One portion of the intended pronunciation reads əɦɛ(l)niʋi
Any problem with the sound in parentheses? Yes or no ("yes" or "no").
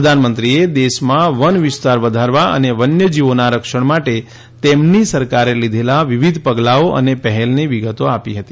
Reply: no